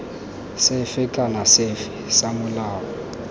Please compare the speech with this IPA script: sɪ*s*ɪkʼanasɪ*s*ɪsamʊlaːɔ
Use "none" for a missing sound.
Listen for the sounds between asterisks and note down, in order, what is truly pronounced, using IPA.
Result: f, f

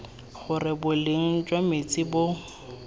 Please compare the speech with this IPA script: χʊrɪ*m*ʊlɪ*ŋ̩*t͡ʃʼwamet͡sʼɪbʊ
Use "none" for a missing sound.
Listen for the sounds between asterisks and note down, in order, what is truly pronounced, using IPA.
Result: b, ŋ̩

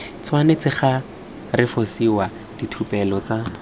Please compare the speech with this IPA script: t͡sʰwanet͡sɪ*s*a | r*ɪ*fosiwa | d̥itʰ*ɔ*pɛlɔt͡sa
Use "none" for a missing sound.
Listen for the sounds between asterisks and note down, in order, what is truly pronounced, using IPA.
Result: χ, ɪ, u

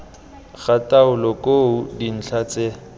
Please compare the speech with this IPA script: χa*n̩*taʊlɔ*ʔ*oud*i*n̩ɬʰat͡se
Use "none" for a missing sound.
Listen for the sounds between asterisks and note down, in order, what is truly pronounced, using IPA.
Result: none, k, i

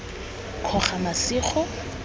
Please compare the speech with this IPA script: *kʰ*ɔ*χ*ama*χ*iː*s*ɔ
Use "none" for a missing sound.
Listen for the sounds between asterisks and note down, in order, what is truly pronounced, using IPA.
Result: kʰ, χ, s, χ

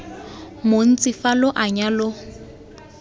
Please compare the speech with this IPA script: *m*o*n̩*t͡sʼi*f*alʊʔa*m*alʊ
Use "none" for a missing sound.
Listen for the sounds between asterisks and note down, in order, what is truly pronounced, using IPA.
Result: m, n̩, f, ɲ

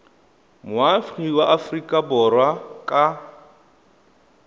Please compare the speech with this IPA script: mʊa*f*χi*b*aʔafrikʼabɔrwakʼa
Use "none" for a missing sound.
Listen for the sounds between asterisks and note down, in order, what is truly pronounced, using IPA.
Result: f, w

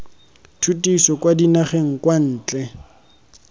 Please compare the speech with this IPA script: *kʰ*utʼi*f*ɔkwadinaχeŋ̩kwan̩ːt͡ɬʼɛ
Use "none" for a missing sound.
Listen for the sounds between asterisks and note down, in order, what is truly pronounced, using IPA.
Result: tʰ, s

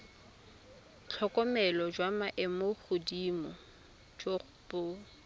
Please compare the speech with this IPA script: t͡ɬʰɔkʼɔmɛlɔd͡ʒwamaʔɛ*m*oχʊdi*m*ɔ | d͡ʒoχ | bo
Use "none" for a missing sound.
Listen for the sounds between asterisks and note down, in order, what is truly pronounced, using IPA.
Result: m, m

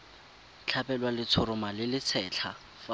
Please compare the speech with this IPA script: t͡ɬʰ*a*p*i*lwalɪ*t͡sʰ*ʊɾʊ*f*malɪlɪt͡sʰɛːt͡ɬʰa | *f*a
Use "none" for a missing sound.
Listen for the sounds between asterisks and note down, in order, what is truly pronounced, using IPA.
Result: a, ɛ, t͡sʰ, none, f

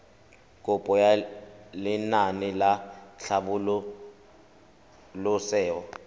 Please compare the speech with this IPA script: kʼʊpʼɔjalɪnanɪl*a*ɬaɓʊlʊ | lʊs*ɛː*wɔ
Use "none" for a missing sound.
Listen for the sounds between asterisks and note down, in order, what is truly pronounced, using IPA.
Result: a, ɛː

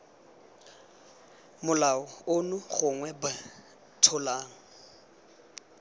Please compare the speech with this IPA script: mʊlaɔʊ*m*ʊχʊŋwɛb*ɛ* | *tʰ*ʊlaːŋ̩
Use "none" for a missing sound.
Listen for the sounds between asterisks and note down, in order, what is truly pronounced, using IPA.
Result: n, a, tʰ

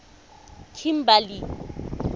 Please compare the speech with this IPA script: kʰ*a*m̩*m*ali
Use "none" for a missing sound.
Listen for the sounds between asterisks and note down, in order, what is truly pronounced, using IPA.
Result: i, b

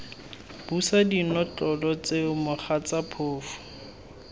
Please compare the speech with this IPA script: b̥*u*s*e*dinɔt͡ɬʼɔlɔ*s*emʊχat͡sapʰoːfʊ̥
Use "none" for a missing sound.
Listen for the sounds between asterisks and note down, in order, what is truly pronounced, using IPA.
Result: u, a, t͡s

